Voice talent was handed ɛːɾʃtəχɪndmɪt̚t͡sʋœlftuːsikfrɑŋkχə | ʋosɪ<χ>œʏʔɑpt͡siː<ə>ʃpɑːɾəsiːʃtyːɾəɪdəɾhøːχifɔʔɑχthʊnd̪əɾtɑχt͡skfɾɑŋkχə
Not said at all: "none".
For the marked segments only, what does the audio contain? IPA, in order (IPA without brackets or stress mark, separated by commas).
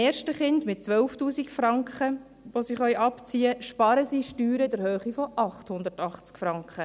χ, ə